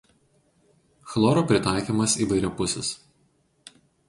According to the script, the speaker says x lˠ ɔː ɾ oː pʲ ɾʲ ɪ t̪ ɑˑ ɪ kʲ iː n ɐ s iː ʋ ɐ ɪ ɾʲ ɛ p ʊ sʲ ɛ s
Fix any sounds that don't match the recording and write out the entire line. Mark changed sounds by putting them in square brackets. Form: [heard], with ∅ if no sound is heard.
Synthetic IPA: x lˠ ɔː ɾ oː pʲ ɾʲ ɪ t̪ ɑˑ ɪ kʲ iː [m] ɐ s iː ʋ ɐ ɪ ɾʲ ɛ p ʊ sʲ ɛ s